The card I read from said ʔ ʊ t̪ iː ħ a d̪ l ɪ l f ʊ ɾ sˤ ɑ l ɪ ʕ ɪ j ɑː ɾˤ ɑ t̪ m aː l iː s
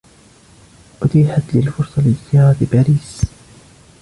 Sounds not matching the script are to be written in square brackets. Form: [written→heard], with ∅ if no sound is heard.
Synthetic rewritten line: ʔ ʊ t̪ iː ħ a [d̪→t̪] l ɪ l f ʊ ɾ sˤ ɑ l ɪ [ʕ→z] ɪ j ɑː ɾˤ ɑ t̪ [m→b] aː [l→ɾ] iː s